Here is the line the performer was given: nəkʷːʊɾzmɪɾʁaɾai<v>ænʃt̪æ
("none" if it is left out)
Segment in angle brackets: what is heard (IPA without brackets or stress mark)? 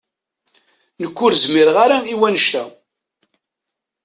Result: w